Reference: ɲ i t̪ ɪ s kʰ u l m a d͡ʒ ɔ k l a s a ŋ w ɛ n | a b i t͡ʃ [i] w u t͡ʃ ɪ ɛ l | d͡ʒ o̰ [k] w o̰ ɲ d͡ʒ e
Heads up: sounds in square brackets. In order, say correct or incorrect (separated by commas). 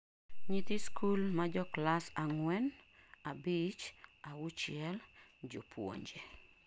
incorrect, incorrect